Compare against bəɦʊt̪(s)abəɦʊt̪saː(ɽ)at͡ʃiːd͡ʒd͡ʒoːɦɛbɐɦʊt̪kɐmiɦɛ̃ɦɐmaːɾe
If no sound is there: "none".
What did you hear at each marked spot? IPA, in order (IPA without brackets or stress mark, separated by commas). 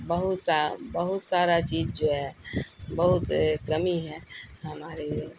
s, ɾ